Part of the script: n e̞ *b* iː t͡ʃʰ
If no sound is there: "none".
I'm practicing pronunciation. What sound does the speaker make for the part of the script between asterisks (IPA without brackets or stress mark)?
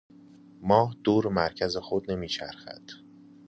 m